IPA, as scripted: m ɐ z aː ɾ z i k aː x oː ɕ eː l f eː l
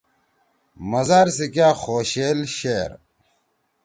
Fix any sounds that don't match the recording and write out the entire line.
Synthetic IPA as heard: m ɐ z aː ɾ s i k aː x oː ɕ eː l ɕ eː ɾ

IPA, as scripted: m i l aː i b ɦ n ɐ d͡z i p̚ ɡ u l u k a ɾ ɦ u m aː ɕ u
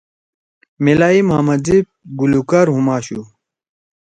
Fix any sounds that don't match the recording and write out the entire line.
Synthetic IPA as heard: m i l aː i m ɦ m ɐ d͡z i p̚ ɡ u l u k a ɾ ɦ u m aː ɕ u

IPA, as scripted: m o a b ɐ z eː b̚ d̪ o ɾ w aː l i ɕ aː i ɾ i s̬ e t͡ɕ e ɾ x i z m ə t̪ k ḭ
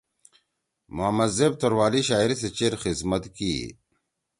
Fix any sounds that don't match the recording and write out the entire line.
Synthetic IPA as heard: m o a m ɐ z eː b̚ t̪ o ɾ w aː l i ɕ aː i ɾ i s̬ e t͡ɕ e ɾ x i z m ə t̪ k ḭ

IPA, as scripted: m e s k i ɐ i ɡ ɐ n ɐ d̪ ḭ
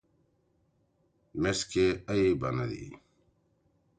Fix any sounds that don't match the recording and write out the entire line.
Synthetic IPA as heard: m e s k e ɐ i b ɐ n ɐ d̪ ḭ

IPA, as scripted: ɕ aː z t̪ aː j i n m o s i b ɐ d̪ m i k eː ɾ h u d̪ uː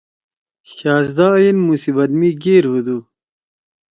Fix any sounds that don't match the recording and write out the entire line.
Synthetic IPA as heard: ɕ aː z d̪ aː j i n m u s i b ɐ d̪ m i ɡ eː ɾ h u d̪ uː

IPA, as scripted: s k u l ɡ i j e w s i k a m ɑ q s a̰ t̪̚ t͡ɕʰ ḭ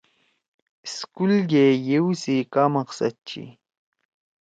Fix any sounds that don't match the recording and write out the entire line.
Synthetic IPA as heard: s k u l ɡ e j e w s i k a m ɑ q s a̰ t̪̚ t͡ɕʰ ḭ

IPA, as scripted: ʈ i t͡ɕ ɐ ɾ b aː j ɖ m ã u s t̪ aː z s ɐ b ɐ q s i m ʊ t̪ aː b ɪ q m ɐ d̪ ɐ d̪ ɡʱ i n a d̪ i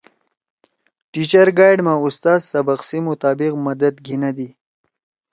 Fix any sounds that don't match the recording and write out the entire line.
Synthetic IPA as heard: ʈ i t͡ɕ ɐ ɾ ɡ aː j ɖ m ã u s t̪ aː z s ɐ b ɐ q s i m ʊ t̪ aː b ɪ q m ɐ d̪ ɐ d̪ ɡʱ i n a d̪ i

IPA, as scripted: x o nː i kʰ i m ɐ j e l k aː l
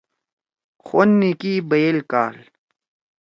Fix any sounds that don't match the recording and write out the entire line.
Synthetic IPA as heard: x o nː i k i b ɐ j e l k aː l

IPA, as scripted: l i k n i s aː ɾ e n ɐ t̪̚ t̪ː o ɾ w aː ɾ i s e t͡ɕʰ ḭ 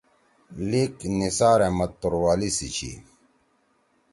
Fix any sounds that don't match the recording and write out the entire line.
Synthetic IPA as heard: l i k n i s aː ɾ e m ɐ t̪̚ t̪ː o ɾ w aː l i s i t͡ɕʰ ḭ

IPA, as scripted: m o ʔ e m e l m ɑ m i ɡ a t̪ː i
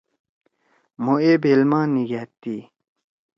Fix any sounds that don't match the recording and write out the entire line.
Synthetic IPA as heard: m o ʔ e b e l m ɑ n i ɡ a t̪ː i

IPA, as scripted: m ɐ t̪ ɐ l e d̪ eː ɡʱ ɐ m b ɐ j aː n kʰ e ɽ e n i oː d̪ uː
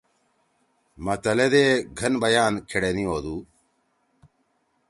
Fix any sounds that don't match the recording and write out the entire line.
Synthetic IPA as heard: m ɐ t̪ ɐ l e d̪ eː ɡʱ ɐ n b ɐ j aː n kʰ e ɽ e n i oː d̪ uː

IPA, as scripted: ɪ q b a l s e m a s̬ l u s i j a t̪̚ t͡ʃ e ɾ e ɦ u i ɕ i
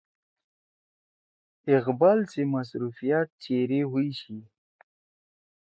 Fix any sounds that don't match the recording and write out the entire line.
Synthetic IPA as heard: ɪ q b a l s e m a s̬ ɾ u f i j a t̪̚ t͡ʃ e ɾ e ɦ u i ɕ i

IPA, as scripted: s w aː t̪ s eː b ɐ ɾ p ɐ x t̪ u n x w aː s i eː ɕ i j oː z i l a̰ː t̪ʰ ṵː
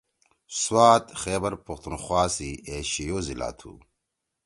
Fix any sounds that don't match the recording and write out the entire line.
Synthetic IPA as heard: s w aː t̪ x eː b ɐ ɾ p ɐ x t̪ u n x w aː s i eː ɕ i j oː z i l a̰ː t̪ʰ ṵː

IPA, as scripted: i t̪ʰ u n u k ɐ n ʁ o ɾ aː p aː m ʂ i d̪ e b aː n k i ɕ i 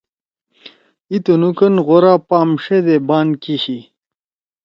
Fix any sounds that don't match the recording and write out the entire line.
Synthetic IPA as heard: i t̪ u n u k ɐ n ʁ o ɾ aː p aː m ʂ e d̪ e b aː n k i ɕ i

